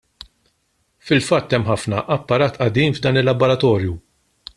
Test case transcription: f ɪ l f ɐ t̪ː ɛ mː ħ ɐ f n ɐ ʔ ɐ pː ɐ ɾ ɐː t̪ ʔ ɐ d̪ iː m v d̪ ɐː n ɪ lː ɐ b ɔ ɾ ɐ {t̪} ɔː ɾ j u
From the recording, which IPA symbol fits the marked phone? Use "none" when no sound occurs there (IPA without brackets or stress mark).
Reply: t̪